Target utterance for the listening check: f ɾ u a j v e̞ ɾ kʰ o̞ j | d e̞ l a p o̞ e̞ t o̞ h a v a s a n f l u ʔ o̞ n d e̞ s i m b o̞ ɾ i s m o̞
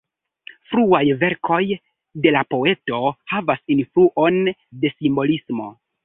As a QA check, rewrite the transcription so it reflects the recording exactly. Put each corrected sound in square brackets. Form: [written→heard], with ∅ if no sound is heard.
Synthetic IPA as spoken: f ɾ u a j v e̞ ɾ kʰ o̞ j | d e̞ l a p o̞ e̞ t o̞ h a v a s [a→i] n f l u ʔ o̞ n d e̞ s i m b o̞ [ɾ→l] i s m o̞